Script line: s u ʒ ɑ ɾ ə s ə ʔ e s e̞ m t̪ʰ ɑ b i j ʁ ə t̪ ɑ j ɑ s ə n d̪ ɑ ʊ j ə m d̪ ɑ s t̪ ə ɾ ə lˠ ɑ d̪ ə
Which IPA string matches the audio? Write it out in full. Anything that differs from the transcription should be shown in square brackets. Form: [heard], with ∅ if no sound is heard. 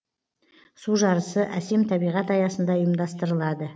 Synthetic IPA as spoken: s u ʒ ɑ ɾ ə s ə ʔ [æ] s e̞ m t̪ʰ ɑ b i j ʁ [ɑ] t̪ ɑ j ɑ s ə n d̪ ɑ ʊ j ə m d̪ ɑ s t̪ ə ɾ ə lˠ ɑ d̪ ə